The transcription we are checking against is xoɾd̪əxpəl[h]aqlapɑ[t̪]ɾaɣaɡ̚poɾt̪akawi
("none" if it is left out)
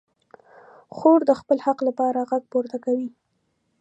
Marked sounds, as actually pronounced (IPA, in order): h, none

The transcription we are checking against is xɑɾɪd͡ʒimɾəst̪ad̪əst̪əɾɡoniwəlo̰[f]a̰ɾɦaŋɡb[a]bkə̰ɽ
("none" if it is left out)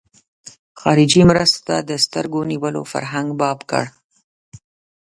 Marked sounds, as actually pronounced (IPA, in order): f, ɑ

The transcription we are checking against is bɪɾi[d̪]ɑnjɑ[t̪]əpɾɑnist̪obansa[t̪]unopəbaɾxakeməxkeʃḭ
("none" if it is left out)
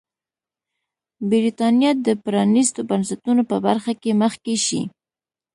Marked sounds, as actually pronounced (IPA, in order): t̪, d̪, t̪

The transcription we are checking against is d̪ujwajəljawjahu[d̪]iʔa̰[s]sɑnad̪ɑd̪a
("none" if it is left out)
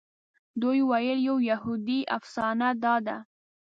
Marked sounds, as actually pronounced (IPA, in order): d̪, f

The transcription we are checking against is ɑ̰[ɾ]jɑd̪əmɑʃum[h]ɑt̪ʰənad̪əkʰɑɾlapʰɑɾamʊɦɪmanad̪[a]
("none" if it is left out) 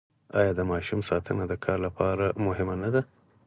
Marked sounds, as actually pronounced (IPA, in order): none, s, a

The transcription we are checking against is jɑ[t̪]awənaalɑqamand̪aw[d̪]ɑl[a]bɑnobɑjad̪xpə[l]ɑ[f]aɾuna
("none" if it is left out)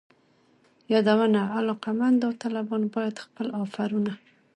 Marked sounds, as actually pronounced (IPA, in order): d̪, t̪, a, l, f

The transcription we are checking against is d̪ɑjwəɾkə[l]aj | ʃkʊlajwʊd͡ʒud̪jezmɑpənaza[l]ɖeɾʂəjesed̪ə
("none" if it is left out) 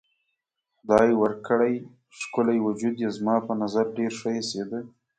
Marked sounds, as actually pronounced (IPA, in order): ɽ, ɾ

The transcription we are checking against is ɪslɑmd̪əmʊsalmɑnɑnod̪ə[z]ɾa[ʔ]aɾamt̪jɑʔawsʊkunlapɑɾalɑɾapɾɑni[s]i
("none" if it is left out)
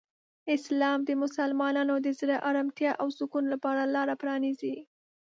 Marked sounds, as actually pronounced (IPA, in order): z, ʔ, z

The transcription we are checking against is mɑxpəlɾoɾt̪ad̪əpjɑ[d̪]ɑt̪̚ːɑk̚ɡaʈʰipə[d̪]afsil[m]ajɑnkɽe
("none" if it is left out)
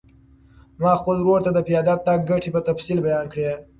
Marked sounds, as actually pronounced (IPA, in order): d̪, t̪, b

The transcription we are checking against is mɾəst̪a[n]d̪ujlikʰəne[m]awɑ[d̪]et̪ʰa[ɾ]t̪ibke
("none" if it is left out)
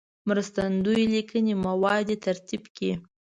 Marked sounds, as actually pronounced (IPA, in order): n, m, d̪, ɾ

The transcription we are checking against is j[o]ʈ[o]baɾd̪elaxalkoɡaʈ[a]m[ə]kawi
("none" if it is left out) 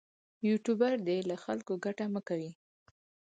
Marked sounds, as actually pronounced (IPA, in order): u, u, a, ə

